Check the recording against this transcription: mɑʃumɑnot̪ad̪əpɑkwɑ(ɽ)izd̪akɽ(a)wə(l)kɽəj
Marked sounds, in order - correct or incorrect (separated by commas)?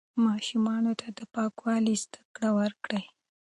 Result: incorrect, correct, incorrect